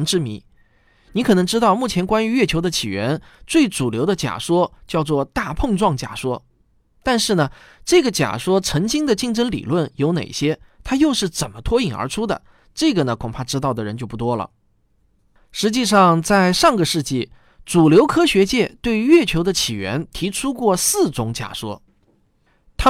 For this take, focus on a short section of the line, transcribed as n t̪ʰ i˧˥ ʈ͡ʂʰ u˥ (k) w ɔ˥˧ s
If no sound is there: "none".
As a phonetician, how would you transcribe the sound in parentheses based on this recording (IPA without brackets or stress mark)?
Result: k